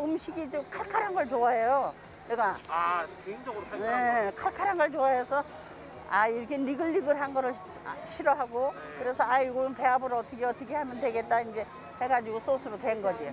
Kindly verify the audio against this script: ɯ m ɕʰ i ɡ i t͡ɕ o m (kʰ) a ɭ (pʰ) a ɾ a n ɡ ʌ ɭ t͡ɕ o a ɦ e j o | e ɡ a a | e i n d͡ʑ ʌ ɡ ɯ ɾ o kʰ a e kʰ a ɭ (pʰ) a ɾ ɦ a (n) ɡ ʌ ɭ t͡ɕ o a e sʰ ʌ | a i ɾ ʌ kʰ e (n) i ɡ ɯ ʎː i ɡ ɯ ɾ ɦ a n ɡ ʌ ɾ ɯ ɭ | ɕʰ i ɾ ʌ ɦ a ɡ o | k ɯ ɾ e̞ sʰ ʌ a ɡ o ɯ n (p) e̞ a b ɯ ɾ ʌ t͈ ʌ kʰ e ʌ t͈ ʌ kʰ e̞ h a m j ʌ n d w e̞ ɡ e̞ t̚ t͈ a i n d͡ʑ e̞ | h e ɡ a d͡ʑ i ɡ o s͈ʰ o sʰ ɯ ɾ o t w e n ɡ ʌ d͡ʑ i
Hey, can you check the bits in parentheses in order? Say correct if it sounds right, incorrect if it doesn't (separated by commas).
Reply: correct, incorrect, incorrect, correct, correct, correct